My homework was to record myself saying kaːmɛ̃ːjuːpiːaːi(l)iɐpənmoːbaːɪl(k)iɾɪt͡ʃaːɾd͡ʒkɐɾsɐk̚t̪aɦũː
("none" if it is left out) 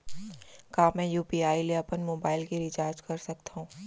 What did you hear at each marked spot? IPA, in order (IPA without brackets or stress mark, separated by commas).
l, k